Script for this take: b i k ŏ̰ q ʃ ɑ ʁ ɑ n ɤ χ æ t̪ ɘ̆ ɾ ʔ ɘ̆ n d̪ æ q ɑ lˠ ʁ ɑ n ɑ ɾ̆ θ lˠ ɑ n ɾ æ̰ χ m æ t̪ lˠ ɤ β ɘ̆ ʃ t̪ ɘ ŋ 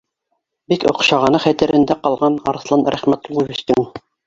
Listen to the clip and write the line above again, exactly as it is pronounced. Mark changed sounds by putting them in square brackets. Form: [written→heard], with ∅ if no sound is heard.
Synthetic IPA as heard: b i k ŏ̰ q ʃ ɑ ʁ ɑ n ɤ χ æ t̪ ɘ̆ ɾ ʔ ɘ̆ n d̪ æ q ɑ lˠ ʁ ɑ n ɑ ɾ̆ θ lˠ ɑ n ɾ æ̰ χ m æ t̪ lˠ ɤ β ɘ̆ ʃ t̪ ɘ ŋ